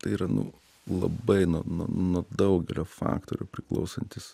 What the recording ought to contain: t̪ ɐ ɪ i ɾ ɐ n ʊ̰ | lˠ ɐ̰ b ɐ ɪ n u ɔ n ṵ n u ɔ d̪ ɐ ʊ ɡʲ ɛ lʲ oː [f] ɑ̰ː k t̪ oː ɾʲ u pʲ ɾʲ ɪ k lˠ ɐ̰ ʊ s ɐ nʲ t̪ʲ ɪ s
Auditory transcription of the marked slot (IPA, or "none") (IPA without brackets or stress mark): f